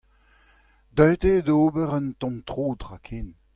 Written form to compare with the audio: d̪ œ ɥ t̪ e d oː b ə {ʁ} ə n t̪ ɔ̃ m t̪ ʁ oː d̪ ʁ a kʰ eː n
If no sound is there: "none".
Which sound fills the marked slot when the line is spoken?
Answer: ʁ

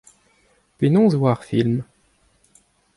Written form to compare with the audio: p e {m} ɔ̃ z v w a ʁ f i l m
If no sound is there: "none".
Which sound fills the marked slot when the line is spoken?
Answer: n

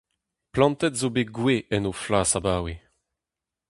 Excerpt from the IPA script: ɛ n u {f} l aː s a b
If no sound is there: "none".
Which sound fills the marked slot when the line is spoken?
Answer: f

